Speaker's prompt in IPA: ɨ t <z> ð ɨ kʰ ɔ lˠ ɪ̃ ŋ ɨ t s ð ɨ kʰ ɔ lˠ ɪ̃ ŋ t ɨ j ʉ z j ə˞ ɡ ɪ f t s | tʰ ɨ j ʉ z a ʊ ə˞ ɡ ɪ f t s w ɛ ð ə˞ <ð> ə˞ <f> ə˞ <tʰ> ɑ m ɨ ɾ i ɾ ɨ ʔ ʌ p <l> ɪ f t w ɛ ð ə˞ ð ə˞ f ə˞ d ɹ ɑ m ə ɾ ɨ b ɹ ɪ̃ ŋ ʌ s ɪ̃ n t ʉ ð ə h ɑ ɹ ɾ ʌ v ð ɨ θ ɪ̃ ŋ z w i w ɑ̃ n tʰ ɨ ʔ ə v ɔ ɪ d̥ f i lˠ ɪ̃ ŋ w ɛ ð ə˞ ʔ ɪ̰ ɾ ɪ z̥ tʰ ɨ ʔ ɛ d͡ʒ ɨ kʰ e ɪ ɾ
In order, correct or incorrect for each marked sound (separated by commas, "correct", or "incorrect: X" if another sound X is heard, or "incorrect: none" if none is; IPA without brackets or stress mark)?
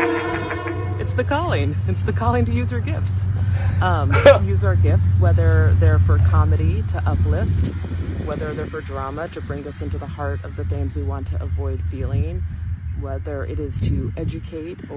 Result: incorrect: s, correct, correct, incorrect: kʰ, correct